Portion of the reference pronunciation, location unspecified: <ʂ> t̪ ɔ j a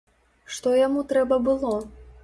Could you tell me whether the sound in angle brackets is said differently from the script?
no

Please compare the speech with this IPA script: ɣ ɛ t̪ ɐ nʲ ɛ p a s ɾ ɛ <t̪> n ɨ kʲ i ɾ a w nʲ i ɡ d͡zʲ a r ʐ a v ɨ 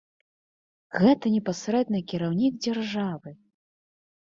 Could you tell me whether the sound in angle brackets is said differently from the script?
yes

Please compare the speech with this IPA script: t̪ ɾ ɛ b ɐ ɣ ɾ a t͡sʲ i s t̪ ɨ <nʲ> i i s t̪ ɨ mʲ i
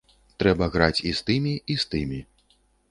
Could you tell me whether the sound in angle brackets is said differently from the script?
yes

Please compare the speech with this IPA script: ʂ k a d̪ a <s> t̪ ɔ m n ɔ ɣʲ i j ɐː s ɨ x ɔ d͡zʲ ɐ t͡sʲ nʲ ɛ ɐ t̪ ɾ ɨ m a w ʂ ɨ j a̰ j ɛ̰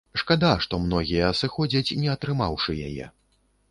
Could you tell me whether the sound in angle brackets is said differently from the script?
yes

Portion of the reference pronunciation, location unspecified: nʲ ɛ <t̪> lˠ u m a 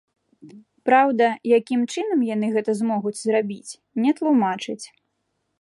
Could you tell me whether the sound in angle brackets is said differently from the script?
no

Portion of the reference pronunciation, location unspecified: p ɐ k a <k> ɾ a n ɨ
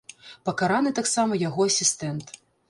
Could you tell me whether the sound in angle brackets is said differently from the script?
yes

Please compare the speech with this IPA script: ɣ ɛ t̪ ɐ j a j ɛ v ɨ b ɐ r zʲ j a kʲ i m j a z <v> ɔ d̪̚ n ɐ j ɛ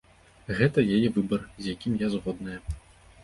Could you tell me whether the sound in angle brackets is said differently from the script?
yes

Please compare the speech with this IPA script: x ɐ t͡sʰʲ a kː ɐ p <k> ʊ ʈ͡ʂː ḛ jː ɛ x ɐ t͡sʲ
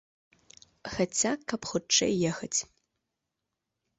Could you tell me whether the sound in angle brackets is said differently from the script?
yes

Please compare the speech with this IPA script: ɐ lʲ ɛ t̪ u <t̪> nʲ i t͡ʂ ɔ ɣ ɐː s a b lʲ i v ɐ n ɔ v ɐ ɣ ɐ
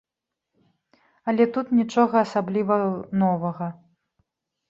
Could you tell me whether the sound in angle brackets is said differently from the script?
no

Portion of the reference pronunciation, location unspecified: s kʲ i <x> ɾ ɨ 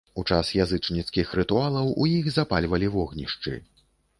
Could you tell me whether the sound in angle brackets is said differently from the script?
no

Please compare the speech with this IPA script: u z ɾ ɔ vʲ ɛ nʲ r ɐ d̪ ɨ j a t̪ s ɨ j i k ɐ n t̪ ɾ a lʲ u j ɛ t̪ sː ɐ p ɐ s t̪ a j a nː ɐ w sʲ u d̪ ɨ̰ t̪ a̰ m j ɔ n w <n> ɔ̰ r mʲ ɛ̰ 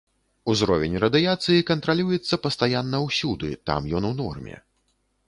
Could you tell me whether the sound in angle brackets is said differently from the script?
no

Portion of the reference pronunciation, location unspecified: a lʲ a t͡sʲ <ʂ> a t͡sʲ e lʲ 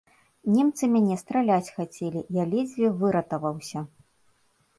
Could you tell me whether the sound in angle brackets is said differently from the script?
yes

